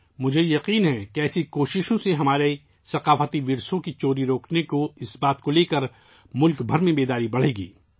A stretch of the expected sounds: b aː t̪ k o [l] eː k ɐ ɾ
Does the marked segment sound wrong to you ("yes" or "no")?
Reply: no